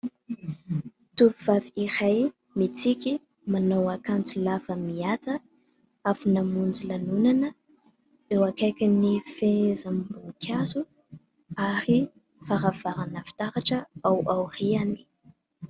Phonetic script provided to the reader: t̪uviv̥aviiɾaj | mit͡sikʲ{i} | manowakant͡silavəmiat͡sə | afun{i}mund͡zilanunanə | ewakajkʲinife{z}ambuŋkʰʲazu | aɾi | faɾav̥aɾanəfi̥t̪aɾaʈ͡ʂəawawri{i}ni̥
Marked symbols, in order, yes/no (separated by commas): yes, no, yes, no